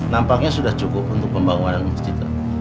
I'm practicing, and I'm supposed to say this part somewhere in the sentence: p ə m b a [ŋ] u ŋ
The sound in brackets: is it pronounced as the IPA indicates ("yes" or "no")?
yes